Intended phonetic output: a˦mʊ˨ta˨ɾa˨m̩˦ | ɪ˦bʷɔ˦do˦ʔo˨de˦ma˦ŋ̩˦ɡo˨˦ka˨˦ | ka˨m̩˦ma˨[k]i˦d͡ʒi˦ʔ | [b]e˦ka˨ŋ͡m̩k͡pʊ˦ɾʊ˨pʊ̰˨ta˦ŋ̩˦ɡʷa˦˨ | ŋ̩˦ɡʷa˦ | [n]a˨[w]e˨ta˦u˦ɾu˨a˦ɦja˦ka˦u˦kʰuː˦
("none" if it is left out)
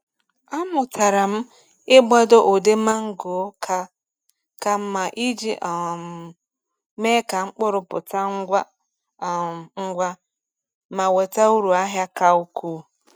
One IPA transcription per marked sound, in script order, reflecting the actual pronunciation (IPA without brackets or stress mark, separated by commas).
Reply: ʔ, m, m, w